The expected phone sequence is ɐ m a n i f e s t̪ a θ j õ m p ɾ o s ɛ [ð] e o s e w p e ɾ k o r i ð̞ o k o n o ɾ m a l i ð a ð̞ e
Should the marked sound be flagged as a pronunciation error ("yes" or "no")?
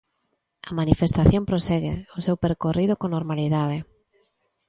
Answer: yes